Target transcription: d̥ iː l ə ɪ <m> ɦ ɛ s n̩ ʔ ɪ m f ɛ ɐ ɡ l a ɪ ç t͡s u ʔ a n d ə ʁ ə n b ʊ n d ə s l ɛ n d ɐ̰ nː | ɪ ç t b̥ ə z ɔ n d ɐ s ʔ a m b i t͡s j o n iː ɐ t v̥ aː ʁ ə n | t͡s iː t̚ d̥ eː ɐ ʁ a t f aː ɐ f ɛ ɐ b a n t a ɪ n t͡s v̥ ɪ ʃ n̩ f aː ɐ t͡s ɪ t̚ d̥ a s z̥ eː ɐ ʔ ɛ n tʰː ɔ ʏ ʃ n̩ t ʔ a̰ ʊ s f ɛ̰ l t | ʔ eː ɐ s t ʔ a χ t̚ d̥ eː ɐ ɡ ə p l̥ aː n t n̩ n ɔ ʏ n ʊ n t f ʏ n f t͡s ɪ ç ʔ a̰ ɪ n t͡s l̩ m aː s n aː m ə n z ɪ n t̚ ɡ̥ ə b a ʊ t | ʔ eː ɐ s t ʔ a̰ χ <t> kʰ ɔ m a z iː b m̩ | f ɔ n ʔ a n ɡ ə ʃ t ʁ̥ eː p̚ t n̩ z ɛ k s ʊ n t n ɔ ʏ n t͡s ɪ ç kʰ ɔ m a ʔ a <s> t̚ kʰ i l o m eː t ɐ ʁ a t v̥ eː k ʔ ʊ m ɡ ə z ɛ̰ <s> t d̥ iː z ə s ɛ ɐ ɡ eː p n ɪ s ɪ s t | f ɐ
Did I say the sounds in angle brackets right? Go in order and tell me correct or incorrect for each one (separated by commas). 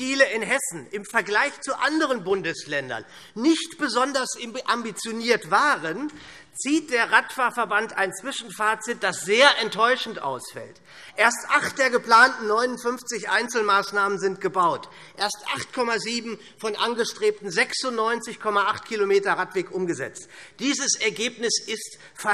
incorrect, correct, incorrect, incorrect